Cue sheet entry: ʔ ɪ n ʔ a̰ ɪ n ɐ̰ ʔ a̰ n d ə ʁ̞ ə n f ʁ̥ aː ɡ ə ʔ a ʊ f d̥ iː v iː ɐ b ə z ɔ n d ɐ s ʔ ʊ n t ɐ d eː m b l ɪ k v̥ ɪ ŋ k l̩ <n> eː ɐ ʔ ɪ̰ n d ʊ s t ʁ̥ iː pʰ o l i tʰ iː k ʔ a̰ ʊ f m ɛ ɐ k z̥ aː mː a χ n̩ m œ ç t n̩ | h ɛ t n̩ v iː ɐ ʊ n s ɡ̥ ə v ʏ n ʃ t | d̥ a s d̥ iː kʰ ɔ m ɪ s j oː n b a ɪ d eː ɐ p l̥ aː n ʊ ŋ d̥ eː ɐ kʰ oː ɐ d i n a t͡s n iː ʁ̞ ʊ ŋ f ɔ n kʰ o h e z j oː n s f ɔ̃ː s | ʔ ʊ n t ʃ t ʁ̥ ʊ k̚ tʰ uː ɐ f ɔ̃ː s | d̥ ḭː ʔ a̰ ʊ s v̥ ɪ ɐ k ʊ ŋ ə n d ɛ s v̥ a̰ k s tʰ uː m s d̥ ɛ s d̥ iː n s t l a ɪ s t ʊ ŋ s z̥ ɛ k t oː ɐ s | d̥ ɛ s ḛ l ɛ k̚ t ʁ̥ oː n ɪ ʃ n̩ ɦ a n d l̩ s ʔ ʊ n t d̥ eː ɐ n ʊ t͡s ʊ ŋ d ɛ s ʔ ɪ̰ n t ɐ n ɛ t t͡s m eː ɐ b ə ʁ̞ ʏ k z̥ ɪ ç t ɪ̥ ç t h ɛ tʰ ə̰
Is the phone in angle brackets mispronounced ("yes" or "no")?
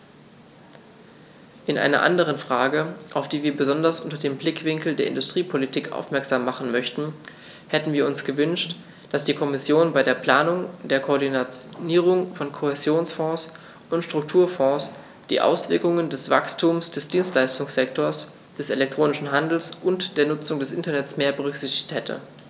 yes